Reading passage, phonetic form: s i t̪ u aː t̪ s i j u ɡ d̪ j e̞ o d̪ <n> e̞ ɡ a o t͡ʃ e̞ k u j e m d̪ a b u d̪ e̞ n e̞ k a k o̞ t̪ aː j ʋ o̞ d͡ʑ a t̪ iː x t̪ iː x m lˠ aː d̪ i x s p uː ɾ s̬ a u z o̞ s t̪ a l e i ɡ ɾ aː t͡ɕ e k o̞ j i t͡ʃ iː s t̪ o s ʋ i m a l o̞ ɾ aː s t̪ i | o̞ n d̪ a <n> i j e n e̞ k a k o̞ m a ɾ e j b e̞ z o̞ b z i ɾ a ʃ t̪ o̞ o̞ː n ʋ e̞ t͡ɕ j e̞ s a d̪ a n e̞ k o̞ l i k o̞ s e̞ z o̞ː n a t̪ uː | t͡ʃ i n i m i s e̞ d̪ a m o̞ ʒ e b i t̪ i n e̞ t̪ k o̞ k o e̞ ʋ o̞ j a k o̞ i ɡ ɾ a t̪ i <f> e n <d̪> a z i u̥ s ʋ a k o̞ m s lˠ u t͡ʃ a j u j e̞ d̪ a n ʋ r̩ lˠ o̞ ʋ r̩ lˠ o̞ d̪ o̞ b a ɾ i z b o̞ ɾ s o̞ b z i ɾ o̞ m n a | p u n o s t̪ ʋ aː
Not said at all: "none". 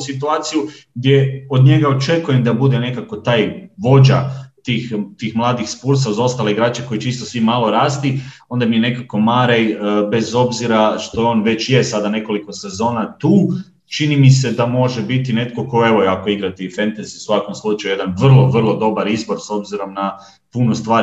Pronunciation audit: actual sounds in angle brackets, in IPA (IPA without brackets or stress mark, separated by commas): ɲ, m, f, t̪